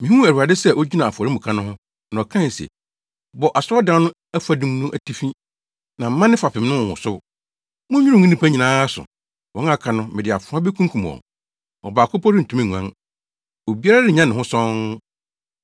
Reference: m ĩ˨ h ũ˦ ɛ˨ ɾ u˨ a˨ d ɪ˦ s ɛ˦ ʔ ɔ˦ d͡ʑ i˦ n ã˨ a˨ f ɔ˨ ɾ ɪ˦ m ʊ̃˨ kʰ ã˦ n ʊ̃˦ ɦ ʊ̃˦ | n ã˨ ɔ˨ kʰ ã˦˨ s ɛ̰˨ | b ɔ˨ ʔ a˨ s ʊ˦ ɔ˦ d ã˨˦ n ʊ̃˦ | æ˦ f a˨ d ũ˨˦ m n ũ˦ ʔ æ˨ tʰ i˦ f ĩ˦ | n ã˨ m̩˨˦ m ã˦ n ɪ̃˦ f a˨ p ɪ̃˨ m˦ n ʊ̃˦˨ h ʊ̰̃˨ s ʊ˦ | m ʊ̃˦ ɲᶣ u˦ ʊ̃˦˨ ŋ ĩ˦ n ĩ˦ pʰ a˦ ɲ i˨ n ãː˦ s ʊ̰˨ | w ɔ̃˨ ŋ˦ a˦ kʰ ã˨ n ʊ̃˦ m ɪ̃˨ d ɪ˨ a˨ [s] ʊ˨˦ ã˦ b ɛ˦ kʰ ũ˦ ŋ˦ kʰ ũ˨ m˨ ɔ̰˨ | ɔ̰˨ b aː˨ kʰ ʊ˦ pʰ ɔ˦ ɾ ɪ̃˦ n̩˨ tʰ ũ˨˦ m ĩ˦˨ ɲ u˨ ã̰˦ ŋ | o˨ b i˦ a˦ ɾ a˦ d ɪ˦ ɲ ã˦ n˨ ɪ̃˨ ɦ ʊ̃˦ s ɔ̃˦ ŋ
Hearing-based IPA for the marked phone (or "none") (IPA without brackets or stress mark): f